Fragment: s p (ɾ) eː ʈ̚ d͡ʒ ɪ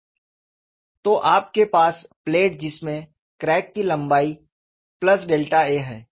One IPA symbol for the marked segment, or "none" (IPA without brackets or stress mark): l